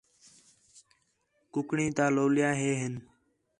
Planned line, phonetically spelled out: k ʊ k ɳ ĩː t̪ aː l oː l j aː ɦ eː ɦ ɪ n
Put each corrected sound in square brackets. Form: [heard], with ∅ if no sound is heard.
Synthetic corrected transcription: k ʊ k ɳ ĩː t̪ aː l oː l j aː ɦ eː ɦ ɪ n